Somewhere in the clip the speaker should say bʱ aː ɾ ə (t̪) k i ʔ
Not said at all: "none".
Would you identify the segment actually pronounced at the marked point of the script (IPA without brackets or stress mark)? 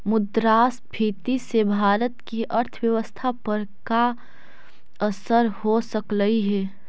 t̪